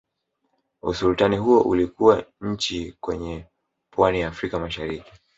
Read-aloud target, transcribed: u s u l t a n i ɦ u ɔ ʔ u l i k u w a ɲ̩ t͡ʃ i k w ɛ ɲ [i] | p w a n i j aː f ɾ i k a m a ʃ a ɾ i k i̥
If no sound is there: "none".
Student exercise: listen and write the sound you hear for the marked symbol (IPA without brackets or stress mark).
ɛ